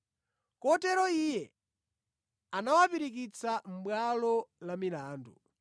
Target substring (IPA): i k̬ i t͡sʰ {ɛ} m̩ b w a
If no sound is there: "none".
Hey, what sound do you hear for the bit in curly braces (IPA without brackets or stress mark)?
a